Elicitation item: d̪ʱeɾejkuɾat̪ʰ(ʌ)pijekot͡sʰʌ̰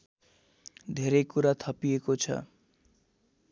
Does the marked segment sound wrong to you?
no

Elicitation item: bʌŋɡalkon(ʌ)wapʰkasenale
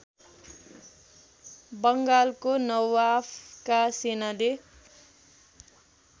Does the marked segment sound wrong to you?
no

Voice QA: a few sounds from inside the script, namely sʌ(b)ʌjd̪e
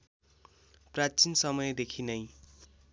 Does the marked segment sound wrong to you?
yes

